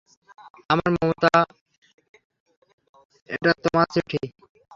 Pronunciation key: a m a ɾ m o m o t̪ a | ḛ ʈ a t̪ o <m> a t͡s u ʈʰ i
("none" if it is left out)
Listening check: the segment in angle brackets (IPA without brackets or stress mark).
m